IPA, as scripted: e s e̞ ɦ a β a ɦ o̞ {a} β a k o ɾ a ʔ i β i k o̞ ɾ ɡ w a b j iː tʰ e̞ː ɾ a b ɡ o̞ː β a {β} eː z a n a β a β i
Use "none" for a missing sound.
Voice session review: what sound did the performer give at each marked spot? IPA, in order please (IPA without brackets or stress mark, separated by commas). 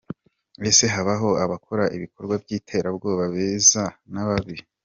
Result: a, β